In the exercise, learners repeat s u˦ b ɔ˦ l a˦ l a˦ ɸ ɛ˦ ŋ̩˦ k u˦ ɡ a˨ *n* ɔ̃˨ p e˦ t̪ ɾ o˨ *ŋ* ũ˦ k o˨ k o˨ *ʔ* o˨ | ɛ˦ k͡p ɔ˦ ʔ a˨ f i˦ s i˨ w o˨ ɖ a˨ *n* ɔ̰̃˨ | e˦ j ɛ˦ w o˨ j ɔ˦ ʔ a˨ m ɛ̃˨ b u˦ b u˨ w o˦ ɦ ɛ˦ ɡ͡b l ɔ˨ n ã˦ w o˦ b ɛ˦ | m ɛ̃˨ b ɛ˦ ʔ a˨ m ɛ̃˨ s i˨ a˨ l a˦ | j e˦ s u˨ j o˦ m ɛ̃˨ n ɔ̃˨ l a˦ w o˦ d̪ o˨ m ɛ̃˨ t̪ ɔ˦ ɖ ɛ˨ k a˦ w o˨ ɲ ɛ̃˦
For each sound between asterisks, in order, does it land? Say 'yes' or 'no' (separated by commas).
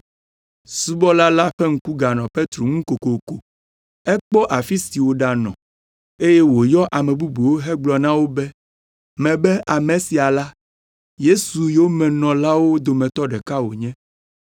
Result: yes, yes, no, yes